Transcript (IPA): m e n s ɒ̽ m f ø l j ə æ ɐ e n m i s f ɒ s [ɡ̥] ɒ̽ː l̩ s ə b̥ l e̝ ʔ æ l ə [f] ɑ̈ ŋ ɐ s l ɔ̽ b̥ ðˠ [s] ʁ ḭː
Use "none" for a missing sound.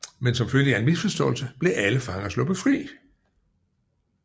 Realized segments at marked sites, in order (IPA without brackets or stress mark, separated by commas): d̥, f, f